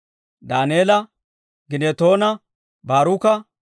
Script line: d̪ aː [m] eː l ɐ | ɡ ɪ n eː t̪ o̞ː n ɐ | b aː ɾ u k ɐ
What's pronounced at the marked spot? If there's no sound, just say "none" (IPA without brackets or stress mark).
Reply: n